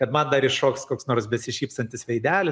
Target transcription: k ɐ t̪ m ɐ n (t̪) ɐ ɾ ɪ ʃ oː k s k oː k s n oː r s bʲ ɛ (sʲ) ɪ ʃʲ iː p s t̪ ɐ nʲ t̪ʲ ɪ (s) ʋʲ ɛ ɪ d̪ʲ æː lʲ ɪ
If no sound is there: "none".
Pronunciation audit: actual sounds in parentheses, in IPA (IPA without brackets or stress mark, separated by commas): d̪, sʲ, s